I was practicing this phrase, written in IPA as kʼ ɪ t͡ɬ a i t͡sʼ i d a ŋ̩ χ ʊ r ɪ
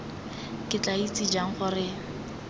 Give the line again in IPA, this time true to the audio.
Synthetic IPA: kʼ ɪ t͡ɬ a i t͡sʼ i d͡ʒ a ŋ̩ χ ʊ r ɪ